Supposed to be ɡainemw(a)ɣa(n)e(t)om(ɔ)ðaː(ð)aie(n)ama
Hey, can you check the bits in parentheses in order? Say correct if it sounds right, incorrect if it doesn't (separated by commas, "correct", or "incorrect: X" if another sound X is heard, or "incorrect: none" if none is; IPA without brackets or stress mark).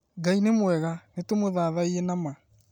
incorrect: ɛ, correct, correct, incorrect: o, correct, correct